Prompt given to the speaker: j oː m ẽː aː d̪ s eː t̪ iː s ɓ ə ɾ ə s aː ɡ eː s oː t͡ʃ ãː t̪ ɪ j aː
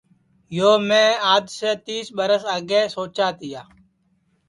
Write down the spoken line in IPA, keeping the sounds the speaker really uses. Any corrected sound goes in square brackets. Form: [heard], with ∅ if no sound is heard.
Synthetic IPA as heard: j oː m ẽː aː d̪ s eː t̪ iː s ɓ ə ɾ ə s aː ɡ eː s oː t͡ʃ [aː] t̪ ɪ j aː